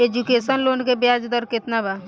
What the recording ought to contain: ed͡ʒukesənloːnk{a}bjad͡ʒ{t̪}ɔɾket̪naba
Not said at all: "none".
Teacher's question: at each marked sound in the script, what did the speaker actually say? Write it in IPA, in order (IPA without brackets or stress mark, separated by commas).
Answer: e, d̪